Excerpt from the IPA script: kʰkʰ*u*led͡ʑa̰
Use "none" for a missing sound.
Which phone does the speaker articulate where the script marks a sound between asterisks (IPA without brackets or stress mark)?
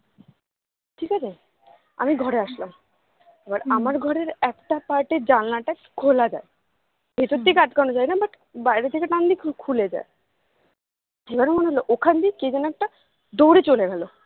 u